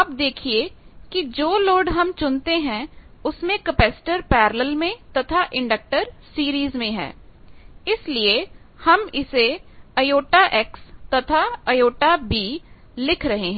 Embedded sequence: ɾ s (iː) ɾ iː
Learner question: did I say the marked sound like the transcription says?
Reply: yes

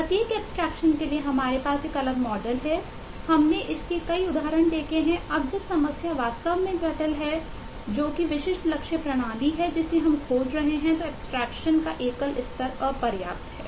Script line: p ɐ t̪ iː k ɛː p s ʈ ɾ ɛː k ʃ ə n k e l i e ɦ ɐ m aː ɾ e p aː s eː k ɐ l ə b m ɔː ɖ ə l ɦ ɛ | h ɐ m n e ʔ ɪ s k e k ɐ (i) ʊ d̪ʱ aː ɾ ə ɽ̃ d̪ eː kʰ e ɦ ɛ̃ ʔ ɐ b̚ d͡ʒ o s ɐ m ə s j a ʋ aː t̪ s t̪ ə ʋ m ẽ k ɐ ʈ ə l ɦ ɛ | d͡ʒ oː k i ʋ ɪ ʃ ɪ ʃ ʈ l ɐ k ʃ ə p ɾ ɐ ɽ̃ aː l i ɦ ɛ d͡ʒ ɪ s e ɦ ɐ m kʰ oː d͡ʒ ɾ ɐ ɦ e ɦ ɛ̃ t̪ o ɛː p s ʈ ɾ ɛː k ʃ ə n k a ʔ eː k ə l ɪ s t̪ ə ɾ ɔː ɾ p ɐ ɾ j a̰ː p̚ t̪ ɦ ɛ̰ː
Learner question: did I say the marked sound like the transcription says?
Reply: yes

